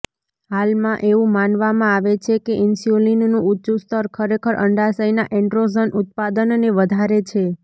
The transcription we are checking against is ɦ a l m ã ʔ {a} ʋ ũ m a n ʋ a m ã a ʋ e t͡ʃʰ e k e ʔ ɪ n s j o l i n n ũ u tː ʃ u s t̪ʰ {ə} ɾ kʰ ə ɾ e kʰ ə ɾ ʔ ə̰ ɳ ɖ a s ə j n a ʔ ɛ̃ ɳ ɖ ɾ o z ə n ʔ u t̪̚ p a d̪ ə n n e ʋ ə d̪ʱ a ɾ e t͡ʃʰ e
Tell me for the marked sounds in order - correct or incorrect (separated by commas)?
incorrect, correct